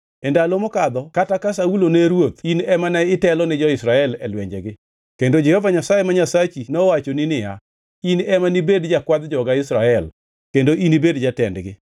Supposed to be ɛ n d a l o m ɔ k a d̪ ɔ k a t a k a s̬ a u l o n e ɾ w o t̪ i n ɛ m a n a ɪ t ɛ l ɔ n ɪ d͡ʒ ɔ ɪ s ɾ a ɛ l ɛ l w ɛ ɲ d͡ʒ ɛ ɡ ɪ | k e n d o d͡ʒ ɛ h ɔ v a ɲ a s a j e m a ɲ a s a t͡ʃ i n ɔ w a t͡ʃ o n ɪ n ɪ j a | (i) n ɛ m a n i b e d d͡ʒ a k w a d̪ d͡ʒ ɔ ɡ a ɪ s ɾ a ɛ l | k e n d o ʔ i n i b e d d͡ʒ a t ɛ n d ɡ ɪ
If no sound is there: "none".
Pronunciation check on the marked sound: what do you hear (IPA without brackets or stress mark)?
i